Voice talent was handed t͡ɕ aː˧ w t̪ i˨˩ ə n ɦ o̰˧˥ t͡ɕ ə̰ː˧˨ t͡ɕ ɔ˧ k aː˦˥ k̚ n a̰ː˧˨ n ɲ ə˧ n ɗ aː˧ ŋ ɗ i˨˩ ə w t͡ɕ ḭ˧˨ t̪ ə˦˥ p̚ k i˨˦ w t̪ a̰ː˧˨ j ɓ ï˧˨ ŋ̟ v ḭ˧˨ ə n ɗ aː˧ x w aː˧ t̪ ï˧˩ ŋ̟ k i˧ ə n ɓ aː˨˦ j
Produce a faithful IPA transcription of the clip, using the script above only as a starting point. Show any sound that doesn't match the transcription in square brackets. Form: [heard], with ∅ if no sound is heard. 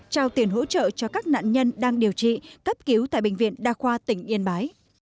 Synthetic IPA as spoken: t͡ɕ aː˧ w t̪ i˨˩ ə n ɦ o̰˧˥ t͡ɕ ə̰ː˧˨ t͡ɕ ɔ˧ k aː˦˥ k̚ n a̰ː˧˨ n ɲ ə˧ n ɗ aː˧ ŋ ɗ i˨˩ ə w t͡ɕ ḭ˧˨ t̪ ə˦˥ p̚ k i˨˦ w t̪ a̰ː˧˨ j ɓ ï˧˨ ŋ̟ v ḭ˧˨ ə n ɗ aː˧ x w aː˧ t̪ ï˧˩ ŋ̟ [ʔ] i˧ ə n ɓ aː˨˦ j